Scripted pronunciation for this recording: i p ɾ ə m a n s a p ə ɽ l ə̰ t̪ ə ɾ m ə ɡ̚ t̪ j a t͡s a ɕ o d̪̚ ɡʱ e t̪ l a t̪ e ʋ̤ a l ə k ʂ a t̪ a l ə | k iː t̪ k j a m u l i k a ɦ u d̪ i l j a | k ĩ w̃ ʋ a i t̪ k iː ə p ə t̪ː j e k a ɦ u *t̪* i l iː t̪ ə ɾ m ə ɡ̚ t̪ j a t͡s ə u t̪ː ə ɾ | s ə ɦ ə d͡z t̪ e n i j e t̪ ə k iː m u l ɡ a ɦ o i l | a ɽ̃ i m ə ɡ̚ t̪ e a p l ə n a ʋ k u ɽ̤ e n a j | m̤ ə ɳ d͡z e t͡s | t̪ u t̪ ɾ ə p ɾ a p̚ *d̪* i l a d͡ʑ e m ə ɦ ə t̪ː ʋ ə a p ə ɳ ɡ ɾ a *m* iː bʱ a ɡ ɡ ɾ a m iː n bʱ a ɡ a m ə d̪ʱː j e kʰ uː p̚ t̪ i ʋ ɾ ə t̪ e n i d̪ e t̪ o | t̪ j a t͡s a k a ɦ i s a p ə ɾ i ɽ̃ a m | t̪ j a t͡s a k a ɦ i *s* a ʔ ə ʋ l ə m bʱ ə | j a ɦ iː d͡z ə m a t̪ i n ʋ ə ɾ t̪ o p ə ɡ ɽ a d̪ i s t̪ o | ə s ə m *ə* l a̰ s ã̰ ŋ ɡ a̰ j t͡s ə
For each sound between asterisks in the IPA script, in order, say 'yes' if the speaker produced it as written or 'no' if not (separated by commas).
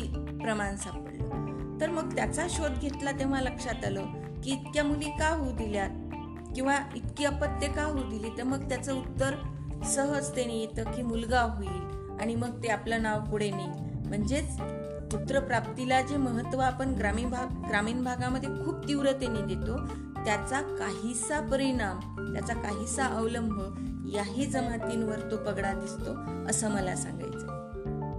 no, no, yes, yes, yes